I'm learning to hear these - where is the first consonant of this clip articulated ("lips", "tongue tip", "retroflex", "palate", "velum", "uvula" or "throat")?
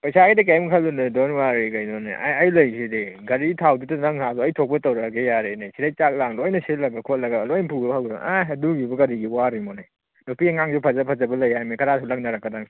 lips